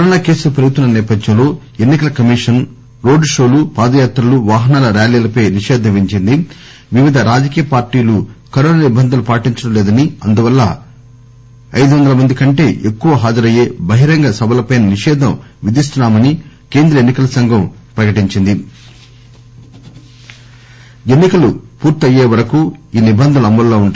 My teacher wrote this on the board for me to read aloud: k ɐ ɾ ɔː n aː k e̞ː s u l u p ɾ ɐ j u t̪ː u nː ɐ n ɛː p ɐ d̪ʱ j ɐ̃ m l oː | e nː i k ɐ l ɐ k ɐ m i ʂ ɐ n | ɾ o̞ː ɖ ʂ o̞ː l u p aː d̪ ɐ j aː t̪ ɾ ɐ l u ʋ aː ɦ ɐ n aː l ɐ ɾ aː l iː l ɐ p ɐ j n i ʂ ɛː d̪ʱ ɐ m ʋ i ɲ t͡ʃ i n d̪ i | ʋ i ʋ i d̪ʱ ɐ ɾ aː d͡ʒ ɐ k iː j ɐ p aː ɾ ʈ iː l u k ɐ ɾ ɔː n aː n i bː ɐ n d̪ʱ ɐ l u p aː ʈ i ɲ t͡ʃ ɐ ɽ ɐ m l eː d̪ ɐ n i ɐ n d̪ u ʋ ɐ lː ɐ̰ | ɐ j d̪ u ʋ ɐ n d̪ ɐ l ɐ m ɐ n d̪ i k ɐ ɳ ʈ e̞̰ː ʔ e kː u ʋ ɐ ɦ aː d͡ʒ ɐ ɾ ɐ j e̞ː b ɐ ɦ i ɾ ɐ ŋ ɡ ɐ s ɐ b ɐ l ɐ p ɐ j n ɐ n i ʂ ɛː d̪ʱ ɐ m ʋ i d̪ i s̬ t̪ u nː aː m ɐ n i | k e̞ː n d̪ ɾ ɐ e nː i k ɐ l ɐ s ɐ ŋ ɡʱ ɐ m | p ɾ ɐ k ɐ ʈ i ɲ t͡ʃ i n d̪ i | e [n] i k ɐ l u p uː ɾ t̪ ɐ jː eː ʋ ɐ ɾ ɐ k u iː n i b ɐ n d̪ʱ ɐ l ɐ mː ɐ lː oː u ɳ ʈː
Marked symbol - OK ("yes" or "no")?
no